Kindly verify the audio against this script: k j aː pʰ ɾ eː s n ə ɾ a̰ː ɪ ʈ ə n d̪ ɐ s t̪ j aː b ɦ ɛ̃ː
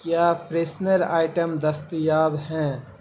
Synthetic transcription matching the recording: k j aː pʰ ɾ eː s n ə ɾ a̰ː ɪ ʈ ə m d̪ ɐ s t̪ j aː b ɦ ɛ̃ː